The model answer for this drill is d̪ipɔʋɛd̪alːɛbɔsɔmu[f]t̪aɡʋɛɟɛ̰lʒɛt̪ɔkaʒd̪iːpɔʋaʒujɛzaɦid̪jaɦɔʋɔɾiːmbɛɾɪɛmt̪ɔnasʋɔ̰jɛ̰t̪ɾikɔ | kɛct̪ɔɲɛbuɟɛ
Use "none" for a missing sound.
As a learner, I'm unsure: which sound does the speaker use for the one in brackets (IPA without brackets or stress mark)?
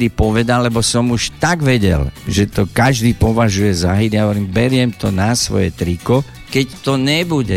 ʃ